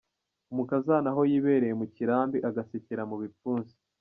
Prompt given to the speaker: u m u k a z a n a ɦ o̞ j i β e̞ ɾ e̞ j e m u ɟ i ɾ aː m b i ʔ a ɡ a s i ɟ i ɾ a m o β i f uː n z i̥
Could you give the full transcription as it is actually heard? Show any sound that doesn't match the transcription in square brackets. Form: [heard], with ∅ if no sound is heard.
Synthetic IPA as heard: u m u k a z a n a ɦ o̞ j i β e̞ ɾ e̞ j e m u [c] i ɾ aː m b i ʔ a ɡ a s i [c] i ɾ a m [u] β i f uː n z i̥